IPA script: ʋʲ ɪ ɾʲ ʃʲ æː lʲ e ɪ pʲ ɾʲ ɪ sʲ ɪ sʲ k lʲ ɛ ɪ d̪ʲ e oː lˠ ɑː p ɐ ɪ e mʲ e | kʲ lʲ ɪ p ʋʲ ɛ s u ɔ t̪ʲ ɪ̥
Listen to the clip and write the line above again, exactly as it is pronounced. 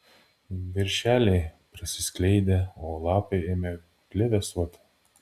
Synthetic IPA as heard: ʋʲ ɪ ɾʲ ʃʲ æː lʲ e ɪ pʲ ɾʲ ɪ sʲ ɪ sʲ k lʲ ɛ ɪ d̪ʲ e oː lˠ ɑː p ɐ ɪ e mʲ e | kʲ lʲ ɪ ʋʲ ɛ s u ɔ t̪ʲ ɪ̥